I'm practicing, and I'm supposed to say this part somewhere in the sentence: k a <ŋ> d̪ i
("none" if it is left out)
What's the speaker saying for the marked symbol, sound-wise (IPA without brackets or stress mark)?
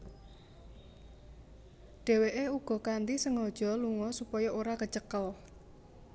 n